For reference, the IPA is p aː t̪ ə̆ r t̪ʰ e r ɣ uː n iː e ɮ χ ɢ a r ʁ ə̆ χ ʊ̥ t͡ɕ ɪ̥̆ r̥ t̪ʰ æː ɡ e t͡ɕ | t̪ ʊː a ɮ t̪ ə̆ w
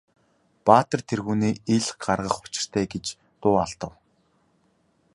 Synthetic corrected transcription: p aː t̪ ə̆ r t̪ʰ e r ɣ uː n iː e ɮ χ ɢ a r ʁ ə̆ χ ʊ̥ t͡ɕ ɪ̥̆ r̥ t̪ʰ æː ɡ e t͡ɕ | t̪ ʊː a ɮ t̪ ə̆ w